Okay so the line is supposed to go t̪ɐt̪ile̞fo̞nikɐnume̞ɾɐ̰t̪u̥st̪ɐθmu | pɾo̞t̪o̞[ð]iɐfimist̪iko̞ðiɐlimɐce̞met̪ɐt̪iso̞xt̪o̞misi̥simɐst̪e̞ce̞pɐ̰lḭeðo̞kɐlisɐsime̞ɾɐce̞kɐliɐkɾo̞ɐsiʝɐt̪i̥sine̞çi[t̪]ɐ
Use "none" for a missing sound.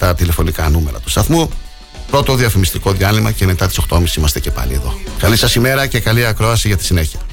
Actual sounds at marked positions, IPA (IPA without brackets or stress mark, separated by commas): ð, none